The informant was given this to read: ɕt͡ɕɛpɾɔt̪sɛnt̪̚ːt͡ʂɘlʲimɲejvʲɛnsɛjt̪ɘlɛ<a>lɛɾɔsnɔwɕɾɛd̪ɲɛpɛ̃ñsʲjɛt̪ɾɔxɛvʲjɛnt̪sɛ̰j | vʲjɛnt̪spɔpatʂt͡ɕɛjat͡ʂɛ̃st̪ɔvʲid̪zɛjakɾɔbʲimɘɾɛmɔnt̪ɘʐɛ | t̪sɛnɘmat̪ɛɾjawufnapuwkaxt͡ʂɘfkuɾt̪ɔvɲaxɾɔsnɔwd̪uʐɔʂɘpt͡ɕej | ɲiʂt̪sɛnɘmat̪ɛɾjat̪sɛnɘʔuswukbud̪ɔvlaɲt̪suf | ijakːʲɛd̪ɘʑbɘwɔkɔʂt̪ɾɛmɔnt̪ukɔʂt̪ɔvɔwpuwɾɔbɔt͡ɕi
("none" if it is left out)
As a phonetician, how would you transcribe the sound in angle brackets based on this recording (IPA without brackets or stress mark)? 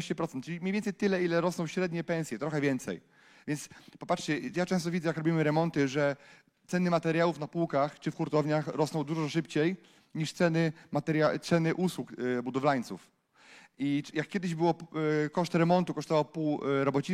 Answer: i